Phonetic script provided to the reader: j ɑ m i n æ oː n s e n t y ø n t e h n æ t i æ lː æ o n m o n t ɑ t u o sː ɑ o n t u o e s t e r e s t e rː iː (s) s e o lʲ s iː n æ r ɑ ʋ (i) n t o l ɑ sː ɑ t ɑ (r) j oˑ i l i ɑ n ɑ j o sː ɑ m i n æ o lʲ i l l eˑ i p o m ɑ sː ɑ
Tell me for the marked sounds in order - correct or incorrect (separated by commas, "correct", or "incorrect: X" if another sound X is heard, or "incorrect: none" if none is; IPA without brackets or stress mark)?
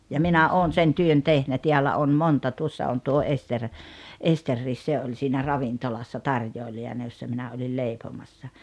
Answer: correct, correct, correct